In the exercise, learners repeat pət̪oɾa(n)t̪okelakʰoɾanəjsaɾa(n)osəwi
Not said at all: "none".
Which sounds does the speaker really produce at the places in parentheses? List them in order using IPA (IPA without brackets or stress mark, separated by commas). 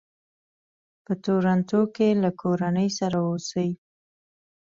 n, none